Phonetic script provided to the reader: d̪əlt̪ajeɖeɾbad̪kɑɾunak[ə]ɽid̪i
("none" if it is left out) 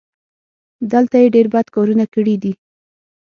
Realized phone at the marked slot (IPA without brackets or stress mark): ə